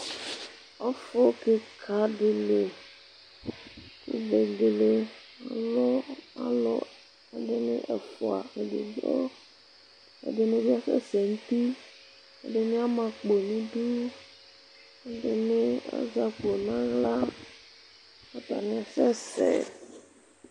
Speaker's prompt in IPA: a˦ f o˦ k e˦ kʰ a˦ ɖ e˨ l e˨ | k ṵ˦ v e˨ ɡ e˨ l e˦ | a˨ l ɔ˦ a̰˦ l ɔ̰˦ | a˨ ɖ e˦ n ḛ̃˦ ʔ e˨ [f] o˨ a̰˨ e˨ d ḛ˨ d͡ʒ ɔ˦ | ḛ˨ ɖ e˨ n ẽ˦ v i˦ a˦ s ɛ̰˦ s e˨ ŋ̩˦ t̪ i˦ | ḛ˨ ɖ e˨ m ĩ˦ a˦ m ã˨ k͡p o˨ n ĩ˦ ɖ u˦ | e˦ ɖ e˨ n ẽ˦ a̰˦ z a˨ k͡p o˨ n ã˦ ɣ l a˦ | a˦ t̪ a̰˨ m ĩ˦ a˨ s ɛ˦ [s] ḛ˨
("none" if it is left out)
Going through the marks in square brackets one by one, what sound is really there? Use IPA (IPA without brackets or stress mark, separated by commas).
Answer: f, s